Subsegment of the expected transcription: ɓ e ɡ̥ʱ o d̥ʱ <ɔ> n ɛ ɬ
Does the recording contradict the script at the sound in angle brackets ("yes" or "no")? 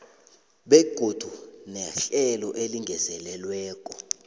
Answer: yes